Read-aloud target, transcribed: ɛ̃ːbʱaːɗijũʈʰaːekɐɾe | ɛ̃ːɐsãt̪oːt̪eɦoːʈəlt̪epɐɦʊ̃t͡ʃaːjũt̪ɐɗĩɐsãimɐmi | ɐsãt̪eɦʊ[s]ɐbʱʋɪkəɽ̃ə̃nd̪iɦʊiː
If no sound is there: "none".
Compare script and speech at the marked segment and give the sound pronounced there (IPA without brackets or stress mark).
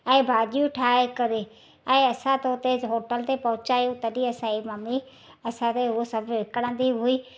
s